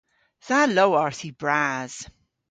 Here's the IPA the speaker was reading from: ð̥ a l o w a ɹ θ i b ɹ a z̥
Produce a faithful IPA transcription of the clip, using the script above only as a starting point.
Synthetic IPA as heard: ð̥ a l o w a ɹ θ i b ɹ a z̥